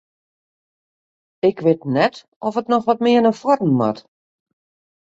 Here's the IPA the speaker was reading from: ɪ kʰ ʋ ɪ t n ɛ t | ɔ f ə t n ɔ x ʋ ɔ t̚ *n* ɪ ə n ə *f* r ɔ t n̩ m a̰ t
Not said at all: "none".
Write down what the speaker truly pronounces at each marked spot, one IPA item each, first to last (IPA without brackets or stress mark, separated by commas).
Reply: m, f